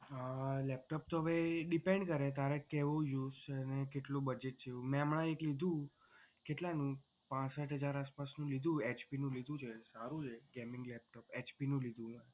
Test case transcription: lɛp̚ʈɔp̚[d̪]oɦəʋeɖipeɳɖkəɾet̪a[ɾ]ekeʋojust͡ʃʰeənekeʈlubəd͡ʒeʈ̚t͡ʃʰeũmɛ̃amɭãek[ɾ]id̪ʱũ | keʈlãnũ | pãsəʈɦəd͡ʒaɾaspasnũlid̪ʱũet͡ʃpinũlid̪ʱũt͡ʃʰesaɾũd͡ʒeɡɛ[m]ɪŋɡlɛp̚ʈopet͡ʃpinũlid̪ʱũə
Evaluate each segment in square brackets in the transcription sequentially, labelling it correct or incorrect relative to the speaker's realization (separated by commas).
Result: incorrect, correct, incorrect, correct